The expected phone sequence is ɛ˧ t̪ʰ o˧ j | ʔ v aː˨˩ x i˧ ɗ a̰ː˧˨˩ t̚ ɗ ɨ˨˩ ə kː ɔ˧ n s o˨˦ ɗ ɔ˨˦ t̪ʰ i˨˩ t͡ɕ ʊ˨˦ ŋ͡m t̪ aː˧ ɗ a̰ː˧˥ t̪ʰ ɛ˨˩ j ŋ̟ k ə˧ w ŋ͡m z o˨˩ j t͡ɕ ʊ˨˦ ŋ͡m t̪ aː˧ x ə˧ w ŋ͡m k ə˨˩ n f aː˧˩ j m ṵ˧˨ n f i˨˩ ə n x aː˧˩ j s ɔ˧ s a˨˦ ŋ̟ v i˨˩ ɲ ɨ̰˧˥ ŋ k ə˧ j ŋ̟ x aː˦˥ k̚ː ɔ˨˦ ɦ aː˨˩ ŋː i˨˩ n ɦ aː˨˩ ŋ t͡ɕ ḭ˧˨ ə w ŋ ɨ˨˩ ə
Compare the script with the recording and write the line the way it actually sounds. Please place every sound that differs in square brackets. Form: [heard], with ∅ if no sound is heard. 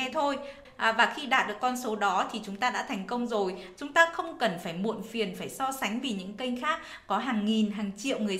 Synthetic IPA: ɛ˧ t̪ʰ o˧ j | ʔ v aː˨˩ x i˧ ɗ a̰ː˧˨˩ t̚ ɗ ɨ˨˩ ə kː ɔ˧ n s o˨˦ ɗ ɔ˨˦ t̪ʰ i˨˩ t͡ɕ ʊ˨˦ ŋ͡m t̪ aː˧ ɗ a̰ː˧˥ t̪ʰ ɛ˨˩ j ŋ̟ k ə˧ w ŋ͡m z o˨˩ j t͡ɕ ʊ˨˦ ŋ͡m t̪ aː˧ x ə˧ w ŋ͡m k ə˨˩ n f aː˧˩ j m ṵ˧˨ n f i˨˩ ə n [f] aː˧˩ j s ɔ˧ s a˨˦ ŋ̟ v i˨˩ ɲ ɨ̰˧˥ ŋ k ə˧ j ŋ̟ x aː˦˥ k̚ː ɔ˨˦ ɦ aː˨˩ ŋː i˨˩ n ɦ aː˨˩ ŋ t͡ɕ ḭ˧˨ ə w ŋ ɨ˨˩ ə